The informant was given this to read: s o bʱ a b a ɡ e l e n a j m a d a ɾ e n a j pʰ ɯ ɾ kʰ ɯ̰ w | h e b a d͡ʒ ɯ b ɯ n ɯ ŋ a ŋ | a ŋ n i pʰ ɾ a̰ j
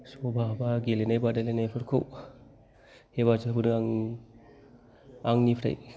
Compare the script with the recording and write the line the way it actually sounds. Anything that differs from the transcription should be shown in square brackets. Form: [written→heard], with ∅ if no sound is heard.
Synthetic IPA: s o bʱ a b a ɡ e l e n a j [m→b] a d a [ɾ→l] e n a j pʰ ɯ ɾ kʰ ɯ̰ w | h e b a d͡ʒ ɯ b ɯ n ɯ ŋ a ŋ | a ŋ n i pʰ ɾ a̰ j